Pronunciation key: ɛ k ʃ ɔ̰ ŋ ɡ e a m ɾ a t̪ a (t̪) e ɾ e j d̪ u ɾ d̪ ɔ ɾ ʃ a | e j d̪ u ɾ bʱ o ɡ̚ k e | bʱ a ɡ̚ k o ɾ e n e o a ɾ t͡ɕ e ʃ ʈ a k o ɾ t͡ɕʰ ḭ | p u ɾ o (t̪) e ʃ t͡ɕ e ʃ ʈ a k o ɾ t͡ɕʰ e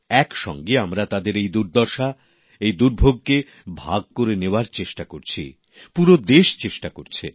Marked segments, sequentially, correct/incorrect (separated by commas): incorrect, incorrect